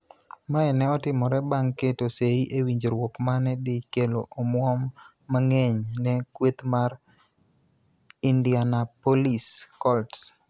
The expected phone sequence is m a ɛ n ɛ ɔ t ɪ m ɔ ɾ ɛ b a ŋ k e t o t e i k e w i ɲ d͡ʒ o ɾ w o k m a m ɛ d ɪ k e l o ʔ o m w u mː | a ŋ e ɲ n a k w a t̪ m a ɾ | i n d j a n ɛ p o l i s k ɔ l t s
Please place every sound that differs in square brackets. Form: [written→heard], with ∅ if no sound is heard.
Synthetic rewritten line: m a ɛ n ɛ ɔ t ɪ m ɔ ɾ ɛ b a ŋ k e t o [t→s] e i [k→ʔ] e w i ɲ d͡ʒ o ɾ w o k m a [m→n] ɛ d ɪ k e l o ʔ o m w [u→ɔ] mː | a ŋ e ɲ n [a→ɛ] k w [a→e] t̪ m a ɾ | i n d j a n [ɛ→a] p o l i s k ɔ l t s

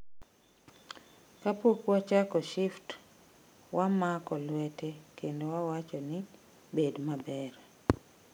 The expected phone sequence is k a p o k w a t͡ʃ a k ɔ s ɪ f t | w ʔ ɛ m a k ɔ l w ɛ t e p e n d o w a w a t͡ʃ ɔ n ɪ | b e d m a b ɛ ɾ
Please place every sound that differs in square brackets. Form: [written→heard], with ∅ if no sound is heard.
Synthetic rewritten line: k a p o k w a t͡ʃ a k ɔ [s→ʃ] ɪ f t | w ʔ [ɛ→a] m a k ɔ l w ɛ t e [p→k] e n d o w a w a t͡ʃ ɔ n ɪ | b e d m a b ɛ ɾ

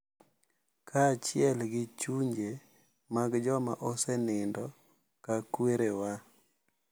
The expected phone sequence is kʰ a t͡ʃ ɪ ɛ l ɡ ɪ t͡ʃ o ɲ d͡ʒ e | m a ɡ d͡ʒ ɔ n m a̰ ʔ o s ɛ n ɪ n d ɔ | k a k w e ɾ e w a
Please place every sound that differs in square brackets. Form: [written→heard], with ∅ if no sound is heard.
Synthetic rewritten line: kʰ a t͡ʃ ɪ ɛ l ɡ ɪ t͡ʃ [o→u] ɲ d͡ʒ e | m a ɡ d͡ʒ ɔ [n→∅] m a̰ ʔ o s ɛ n ɪ n d ɔ | k a k w e ɾ e w a

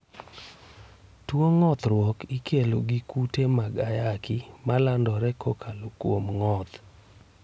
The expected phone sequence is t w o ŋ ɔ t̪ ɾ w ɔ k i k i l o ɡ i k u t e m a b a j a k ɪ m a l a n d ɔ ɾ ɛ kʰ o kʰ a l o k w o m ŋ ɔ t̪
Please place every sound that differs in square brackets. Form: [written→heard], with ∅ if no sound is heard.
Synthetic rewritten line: t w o ŋ ɔ t̪ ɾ w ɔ k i k [i→e] l o ɡ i k u t e m a [b→ɡ] a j a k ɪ m a l a n d ɔ ɾ ɛ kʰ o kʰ a l o k w o m ŋ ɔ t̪

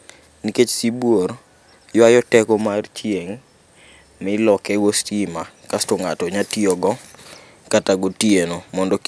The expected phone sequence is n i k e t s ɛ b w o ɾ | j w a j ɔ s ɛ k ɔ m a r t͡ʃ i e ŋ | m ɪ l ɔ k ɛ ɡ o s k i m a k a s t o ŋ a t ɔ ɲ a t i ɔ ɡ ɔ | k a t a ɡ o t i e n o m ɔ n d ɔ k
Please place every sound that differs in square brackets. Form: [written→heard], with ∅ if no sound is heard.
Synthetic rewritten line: n i k e [t→t͡ʃ] s [ɛ→i] b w o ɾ | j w a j ɔ [s→t] ɛ k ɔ m a r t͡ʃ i e ŋ | m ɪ l ɔ k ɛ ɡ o s [k→t] i m a k a s t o ŋ a t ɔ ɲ a t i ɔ ɡ ɔ | k a t a ɡ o t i e n o m ɔ n d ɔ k

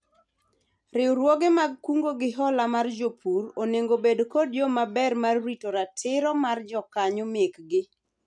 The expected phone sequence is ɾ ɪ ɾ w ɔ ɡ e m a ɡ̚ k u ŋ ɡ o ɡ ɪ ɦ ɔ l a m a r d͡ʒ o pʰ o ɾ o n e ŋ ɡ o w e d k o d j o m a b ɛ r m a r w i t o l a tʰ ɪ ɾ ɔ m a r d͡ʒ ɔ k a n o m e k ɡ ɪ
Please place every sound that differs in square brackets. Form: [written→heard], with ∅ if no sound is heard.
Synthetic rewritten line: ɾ ɪ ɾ w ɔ ɡ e m a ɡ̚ k u ŋ ɡ o ɡ ɪ ɦ ɔ l a m a r d͡ʒ o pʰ [o→u] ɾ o n e ŋ ɡ o [w→b] e d k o d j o m a b ɛ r m a r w i t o [l→ɾ] a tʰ ɪ ɾ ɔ m a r d͡ʒ ɔ k a [n→ɲ] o m e k ɡ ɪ

